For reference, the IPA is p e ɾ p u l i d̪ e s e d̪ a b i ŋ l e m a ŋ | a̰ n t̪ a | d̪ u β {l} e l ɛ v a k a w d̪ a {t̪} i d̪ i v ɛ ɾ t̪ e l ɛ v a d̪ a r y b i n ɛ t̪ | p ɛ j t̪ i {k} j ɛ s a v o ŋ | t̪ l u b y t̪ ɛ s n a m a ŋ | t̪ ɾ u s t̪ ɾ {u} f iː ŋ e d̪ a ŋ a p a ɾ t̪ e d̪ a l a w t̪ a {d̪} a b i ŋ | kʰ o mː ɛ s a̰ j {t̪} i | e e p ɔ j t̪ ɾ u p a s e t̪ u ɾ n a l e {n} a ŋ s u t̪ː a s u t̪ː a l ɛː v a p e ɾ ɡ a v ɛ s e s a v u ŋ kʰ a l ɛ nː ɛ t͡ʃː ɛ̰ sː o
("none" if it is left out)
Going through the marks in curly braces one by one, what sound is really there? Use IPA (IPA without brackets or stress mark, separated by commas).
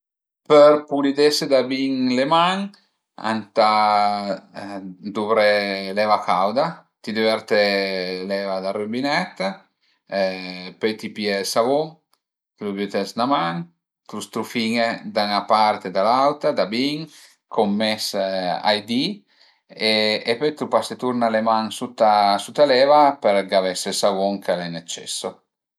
ɾ, t̪, p, u, d̪, d̪, m